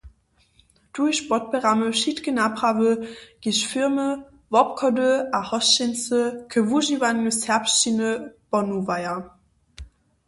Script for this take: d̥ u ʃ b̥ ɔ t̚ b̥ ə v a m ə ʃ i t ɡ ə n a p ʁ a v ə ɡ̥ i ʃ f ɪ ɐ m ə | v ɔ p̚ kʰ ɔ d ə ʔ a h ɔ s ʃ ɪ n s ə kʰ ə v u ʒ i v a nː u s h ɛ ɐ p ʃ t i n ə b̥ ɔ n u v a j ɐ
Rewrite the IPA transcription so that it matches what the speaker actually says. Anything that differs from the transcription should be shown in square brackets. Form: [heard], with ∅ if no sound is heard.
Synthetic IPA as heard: d̥ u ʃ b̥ ɔ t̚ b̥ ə [ʁ] a m ə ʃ i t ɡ ə n a p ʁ a v ə ɡ̥ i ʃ f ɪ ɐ m ə | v ɔ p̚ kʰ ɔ d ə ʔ a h ɔ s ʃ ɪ n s ə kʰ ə v u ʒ i v a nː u s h ɛ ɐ p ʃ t i n ə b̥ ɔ n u v a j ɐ